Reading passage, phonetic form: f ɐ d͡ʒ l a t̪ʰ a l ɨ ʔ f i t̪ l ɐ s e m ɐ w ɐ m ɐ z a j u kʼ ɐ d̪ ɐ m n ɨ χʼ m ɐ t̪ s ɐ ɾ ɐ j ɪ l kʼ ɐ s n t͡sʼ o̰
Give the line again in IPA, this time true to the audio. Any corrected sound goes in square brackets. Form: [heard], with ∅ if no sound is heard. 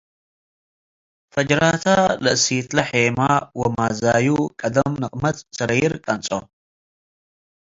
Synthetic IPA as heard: f ɐ d͡ʒ [ɾ] a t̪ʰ a l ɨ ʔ [s] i t̪ l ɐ [ħ] e m [a] w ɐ m [a] z a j u kʼ ɐ d̪ ɐ m n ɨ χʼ m ɐ t̪ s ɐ ɾ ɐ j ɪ [ɾ] kʼ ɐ [∅] n t͡sʼ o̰

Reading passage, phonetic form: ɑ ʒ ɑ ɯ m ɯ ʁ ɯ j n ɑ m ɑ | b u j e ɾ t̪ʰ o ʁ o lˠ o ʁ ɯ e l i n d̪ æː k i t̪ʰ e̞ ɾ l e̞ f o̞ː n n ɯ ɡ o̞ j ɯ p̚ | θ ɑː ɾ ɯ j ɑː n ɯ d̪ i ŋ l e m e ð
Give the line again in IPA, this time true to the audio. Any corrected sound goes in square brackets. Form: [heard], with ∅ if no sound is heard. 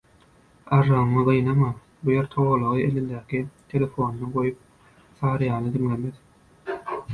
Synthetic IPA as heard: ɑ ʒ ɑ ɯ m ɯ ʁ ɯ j n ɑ m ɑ | b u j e ɾ t̪ʰ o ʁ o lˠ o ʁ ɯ e l i n d̪ æː k i t̪ʰ e̞ [∅] l e̞ f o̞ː n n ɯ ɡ o̞ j [u] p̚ | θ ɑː ɾ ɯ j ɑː n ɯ d̪ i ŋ l e m e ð

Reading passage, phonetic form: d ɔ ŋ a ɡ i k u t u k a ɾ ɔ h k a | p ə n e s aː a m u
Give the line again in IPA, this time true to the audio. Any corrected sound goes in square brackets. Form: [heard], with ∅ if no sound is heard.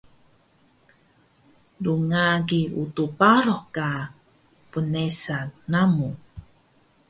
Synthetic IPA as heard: d [u] ŋ a ɡ i [∅] u t u [p] a ɾ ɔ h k a | p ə n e s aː a m u

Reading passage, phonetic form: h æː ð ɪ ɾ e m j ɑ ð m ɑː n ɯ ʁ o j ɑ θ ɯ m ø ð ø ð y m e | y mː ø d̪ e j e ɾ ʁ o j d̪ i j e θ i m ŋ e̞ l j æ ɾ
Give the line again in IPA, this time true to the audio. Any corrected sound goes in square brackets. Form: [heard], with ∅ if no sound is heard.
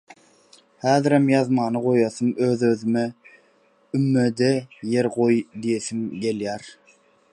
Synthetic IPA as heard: h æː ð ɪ ɾ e m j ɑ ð m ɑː n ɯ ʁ o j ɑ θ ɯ m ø ð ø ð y m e | y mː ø d̪ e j e ɾ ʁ o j d̪ i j e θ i m [ɡ] e̞ l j æ ɾ

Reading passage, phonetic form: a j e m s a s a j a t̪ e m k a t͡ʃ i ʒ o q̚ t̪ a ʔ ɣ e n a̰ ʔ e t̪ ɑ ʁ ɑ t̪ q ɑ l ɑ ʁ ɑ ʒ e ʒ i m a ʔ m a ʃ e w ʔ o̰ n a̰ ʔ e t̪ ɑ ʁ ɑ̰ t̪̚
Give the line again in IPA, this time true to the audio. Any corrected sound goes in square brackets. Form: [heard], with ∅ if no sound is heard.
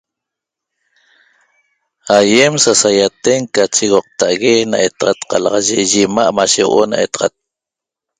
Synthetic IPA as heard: a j e m s a s a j a t̪ e [ŋ] k a t͡ʃ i [ɣ] o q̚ t̪ a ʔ ɣ e n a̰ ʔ e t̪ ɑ ʁ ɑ t̪ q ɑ l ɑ ʁ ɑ ʒ e ʒ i m a ʔ m a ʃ e w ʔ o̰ n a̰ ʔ e t̪ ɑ ʁ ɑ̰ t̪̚

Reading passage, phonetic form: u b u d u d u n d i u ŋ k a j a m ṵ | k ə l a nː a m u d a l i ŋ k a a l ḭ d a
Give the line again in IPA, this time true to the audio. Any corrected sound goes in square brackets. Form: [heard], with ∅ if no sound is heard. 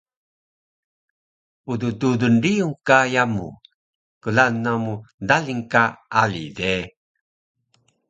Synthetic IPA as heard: u [d] u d u d u n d i u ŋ k a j a m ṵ | k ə l a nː a m u d a l i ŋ k a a l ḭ d [e]

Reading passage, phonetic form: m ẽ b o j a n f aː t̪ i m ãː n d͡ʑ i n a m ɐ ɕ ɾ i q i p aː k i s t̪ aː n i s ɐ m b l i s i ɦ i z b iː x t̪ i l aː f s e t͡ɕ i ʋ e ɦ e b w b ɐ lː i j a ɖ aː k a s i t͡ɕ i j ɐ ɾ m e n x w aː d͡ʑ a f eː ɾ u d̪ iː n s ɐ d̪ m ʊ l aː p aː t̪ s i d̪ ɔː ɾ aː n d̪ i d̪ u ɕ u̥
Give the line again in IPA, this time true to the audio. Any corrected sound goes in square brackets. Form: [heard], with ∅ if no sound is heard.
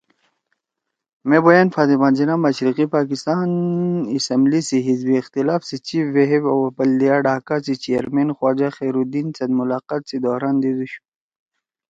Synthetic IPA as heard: m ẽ b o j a n f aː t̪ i m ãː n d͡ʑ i n a m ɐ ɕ ɾ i q i p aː k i s t̪ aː n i s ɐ m b l i s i ɦ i z b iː x t̪ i l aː f s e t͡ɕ i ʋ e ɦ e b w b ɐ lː i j a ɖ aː k a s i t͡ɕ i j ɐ ɾ m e n x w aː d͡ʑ a [x] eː ɾ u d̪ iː n s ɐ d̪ m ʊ l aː [q] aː t̪ s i d̪ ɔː ɾ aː n d̪ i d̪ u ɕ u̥

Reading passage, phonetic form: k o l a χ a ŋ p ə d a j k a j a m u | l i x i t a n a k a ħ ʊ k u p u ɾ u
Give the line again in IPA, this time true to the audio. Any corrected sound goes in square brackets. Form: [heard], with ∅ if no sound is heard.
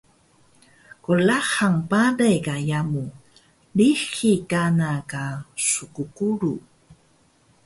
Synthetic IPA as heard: k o l a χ a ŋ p [a] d a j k a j a m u | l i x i [k] a n a k a [s] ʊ k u [k] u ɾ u

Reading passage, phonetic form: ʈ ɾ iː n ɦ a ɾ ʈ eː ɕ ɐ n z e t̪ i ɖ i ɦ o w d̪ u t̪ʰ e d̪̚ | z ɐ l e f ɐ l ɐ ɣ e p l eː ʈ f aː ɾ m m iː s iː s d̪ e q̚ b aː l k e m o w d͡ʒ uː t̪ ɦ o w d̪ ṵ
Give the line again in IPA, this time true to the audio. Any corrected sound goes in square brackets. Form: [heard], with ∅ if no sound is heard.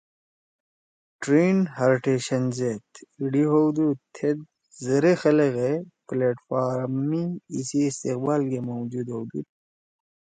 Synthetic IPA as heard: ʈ ɾ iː n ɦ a ɾ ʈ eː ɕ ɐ n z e t̪ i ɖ i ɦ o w d̪ u t̪ʰ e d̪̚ | z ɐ [ɾ] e [x] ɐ l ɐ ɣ e p l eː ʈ f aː ɾ m m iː s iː s [t̪] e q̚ b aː l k e m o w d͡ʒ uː [d̪] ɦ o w d̪ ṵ

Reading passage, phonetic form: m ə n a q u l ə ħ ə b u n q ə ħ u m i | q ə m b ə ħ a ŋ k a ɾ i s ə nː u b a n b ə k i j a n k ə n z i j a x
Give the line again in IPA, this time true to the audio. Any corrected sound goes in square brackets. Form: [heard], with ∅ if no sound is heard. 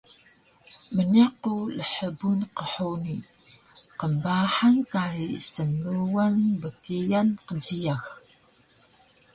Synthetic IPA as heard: m ə n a q u l ə ħ ə b u n q ə ħ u [n] i | q ə m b [a] ħ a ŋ k a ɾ i s ə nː u [w] a n b ə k i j a n [q] ə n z i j a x

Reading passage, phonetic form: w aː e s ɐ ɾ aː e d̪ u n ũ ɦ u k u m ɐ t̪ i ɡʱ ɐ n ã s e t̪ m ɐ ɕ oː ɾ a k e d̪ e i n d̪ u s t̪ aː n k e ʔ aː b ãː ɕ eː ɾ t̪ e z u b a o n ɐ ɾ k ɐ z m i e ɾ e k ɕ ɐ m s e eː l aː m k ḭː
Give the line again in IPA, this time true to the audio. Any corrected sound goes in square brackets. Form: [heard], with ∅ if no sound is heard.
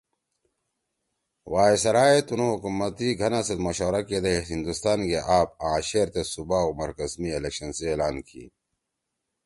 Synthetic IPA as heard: w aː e s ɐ ɾ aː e [t̪] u n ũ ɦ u k u m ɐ t̪ i ɡʱ ɐ n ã s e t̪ m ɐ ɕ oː ɾ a k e d̪ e i n d̪ u s t̪ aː n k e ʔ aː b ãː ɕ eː ɾ t̪ e [s] u b a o [m] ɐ ɾ k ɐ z m i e [l] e k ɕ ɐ [n] s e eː l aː [n] k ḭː

